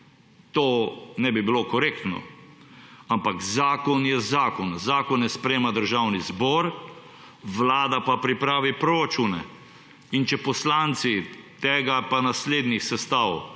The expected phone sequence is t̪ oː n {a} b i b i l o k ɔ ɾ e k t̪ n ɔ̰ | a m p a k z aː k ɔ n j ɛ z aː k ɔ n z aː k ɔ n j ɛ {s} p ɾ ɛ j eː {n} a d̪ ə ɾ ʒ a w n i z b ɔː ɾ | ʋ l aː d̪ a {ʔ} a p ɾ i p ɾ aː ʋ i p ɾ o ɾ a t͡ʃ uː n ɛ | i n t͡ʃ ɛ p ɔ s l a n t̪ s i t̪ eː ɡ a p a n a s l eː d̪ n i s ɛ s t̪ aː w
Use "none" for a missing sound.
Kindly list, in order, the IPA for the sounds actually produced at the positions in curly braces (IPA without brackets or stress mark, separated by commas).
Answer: ɛ, s, m, p